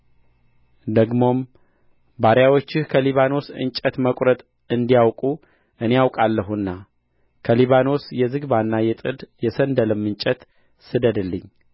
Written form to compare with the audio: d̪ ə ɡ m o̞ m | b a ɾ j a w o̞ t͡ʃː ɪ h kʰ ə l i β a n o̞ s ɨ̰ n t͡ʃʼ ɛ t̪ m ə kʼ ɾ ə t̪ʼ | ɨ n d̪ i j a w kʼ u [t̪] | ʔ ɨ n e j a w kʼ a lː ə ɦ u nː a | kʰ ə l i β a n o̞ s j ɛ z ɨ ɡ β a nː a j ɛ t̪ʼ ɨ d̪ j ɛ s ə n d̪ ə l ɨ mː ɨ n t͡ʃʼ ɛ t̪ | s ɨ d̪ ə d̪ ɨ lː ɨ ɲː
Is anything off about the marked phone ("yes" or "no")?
yes